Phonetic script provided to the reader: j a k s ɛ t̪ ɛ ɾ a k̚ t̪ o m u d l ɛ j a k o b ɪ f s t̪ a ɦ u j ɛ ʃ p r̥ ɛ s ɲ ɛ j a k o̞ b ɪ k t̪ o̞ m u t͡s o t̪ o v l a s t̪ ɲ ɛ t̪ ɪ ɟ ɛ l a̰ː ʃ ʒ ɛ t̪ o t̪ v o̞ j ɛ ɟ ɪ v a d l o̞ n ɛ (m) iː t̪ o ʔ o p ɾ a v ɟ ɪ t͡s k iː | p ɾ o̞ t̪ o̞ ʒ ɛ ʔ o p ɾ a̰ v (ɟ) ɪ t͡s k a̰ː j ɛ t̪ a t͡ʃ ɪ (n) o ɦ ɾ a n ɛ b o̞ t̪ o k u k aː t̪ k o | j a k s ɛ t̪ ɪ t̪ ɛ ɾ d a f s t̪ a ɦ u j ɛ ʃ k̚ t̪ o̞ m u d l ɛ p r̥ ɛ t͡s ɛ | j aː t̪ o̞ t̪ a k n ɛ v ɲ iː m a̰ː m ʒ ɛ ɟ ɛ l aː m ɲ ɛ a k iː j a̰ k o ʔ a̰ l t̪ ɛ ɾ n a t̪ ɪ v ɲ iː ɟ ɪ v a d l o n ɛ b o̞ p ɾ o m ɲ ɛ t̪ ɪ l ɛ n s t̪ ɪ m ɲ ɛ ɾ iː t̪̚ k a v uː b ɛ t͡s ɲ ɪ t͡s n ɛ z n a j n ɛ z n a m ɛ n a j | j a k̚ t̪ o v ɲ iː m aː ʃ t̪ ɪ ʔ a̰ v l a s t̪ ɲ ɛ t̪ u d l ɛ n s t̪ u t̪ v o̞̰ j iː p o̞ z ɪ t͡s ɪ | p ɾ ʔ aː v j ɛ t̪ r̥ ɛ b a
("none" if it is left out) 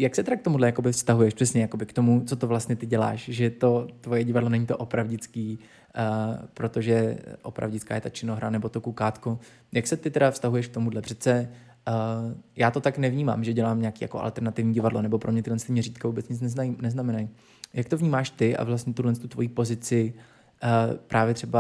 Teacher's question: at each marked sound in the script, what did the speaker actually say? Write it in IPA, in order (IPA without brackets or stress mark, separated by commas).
ɲ, ɟ, n